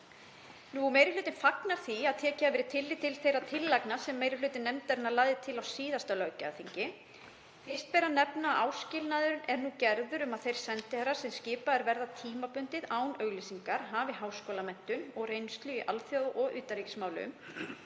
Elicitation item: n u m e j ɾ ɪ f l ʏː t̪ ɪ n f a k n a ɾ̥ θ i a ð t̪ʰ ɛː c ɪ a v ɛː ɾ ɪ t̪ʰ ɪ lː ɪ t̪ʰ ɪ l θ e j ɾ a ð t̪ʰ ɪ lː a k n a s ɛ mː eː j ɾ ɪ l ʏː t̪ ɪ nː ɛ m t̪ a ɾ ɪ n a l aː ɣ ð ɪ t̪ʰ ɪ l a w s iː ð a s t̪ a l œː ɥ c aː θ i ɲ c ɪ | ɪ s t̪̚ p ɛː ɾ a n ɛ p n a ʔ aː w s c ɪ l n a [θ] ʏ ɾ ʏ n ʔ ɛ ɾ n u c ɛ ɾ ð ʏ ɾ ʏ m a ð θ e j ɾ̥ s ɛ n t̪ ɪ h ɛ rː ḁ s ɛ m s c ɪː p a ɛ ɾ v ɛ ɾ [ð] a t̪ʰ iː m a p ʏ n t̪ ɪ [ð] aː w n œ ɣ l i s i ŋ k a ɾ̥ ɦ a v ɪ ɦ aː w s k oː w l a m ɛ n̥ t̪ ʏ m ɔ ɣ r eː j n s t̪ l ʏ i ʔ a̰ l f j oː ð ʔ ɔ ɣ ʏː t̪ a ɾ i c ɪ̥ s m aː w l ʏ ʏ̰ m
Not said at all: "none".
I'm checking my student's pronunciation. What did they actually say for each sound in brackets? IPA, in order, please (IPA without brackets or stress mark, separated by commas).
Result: ð, ð, ð